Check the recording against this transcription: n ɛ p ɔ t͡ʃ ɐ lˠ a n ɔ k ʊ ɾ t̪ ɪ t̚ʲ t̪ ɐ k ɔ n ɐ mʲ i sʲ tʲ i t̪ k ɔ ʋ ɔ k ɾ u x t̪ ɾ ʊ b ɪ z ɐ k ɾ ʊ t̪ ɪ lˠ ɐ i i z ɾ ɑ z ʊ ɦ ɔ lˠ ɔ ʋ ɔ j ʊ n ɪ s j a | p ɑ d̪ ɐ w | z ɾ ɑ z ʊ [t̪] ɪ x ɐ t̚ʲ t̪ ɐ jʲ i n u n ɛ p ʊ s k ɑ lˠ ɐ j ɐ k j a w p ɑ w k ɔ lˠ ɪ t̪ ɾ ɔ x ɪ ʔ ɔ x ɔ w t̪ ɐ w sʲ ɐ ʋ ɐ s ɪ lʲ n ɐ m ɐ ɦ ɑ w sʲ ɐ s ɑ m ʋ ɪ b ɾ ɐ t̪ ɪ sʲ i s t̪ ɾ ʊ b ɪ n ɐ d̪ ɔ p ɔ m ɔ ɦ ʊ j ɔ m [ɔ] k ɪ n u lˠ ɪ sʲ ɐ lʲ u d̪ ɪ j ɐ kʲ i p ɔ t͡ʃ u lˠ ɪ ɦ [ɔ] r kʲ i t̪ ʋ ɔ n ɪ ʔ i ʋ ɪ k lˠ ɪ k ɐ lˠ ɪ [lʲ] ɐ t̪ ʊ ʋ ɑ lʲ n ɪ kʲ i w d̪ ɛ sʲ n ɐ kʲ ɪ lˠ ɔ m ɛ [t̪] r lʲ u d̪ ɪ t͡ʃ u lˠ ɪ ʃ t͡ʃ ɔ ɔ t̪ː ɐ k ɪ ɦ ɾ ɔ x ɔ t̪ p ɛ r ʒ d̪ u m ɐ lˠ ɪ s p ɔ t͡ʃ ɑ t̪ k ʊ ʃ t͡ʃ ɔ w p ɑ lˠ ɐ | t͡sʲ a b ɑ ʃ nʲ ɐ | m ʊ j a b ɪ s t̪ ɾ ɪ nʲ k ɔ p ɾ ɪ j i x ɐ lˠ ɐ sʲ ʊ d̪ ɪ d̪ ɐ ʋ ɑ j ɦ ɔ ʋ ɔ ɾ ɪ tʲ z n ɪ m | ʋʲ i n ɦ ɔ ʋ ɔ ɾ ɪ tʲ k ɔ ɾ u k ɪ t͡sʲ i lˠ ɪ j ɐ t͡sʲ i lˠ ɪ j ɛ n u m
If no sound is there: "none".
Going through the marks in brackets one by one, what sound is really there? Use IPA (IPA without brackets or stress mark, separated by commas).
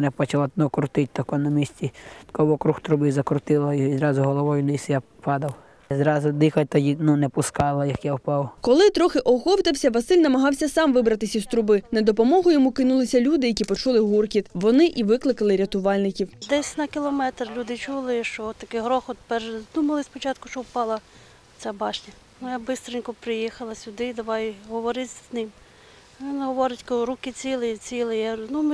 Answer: d̪, u, u, ɾʲ, t̪